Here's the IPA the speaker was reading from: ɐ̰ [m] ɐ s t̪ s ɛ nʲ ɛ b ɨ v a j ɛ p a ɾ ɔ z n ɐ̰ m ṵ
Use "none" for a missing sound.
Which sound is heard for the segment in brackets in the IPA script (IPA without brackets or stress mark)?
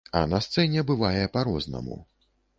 n